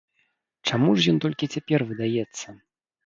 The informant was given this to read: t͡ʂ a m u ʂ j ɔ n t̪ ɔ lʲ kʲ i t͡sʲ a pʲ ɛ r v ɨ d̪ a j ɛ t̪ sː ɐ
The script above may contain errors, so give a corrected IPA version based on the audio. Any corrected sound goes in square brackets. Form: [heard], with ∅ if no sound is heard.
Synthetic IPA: t͡ʂ a m u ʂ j ɔ n t̪ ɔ lʲ kʲ i t͡sʲ a pʲ ɛ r v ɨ d̪ a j ɛ t̪ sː ɐ